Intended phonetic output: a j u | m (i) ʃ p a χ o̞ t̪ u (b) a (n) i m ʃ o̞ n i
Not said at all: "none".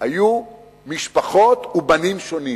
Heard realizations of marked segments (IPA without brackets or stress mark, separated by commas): i, b, n